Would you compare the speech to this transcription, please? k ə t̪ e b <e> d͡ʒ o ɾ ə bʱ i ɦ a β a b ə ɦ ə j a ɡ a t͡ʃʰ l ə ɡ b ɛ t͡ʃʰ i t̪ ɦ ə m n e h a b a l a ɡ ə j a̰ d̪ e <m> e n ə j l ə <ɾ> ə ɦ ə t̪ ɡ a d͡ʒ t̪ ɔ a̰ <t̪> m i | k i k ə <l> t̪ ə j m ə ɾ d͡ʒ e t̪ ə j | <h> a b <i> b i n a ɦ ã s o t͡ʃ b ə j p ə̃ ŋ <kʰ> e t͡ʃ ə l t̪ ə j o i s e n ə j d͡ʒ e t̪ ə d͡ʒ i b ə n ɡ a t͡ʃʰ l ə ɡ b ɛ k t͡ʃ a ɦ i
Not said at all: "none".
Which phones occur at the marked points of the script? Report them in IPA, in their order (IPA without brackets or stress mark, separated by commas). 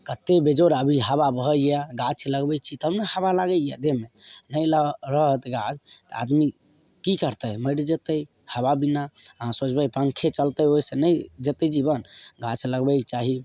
e, m, ɾ, d̪, ɾ, h, a, kʰ